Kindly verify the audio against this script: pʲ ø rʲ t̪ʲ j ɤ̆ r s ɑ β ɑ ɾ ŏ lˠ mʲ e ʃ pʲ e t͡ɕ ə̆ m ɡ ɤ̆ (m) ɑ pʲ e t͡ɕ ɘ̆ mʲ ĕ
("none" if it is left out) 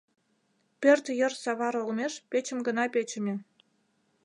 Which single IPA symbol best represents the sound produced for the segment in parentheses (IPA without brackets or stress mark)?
n